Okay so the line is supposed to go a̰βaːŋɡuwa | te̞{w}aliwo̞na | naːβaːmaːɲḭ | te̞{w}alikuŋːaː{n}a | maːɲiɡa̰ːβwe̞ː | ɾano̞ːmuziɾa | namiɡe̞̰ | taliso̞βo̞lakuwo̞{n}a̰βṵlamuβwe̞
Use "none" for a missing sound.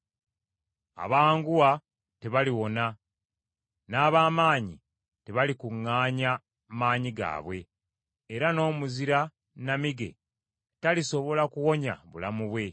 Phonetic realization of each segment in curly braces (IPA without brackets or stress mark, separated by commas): β, β, ɲ, ɲ